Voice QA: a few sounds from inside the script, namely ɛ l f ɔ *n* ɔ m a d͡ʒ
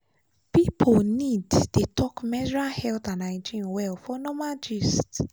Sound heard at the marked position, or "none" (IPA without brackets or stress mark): n